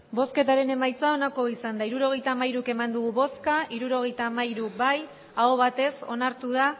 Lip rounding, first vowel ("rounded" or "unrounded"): rounded